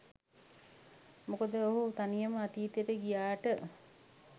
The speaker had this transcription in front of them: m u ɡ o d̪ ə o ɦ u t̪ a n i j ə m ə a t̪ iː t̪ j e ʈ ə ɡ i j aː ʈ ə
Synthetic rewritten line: m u k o d̪ ə o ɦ u t̪ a n i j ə m ə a t̪ iː t̪ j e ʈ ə ɡ i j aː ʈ ə

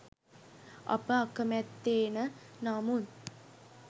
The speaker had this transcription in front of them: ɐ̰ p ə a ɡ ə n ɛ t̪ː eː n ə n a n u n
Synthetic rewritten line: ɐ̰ p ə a k ə m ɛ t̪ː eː n ə n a m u n

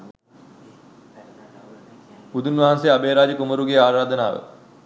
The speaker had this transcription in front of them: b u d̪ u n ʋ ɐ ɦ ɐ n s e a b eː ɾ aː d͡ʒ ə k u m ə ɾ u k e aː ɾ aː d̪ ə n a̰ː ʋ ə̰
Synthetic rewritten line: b u d̪ u n ʋ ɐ ɦ a n s e a b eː ɾ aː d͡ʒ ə k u m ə ɾ u ɡ e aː ɾ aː d̪ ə n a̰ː ʋ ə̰

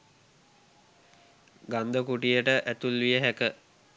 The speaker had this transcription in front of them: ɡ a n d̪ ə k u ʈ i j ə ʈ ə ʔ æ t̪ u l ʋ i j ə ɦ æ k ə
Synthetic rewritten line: ɡ a n d̪ ə k u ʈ i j ə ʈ ə ʔ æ t̪ u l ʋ i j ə ɦ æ k ə

